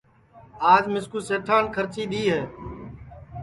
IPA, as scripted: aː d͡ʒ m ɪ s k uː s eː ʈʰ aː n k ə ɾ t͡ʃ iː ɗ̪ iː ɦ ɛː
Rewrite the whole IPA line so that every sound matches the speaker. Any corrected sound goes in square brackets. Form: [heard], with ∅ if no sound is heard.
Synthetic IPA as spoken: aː d͡ʒ m ɪ s k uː s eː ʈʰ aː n [kʰ] ə ɾ t͡ʃ iː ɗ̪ iː ɦ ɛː